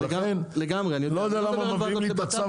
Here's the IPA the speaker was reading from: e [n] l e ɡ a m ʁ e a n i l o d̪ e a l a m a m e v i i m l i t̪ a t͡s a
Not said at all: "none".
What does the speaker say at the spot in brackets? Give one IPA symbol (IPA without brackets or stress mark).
n